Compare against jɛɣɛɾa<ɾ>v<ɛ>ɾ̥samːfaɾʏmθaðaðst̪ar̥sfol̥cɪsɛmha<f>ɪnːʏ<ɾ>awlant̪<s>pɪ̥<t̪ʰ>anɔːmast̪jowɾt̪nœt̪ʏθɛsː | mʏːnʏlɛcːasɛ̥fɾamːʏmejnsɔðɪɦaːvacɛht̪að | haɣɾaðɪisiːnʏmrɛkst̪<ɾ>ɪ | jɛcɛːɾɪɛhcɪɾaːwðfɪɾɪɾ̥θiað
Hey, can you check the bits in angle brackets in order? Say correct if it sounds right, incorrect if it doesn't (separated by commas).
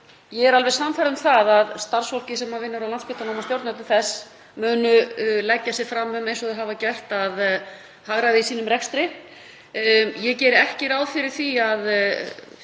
incorrect, correct, incorrect, correct, correct, incorrect, correct